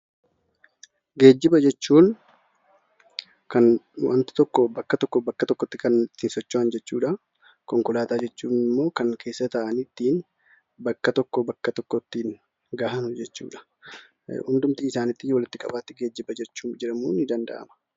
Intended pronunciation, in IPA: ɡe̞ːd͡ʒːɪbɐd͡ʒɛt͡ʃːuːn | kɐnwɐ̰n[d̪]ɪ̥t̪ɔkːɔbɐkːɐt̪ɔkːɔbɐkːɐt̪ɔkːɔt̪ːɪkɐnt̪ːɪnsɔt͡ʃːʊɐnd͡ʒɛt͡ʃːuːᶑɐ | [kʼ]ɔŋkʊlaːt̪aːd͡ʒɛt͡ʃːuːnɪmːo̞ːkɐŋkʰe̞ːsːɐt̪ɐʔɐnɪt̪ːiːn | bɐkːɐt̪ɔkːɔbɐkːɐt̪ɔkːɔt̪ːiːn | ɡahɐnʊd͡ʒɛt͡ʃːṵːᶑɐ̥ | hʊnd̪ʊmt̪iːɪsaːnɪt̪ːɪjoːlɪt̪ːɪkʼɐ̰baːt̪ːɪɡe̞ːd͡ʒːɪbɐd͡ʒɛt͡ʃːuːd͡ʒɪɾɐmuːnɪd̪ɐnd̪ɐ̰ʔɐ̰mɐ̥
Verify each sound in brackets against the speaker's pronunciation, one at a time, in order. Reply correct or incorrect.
incorrect, incorrect

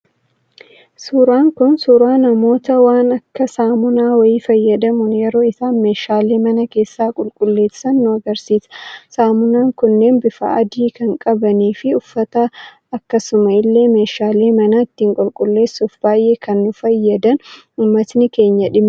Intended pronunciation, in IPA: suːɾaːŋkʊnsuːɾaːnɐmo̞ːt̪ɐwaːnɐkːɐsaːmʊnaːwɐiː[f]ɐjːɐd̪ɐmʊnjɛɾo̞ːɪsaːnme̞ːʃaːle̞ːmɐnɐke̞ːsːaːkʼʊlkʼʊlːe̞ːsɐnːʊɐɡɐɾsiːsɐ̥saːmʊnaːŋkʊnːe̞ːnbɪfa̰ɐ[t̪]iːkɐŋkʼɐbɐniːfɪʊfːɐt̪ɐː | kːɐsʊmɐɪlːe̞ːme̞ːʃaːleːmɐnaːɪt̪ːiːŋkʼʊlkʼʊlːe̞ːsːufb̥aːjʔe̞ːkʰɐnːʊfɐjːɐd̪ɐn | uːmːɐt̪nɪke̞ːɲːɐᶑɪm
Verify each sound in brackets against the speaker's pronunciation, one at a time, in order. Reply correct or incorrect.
correct, incorrect

